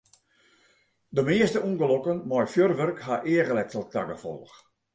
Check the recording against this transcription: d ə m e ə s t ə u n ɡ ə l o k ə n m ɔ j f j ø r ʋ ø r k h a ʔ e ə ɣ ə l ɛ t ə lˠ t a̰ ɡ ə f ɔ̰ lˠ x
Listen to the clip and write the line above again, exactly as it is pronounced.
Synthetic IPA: d ə m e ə s t ə u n ɡ ə l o k ə n m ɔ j f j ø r ʋ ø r k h a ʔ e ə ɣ ə l ɛ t ə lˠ t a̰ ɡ ə f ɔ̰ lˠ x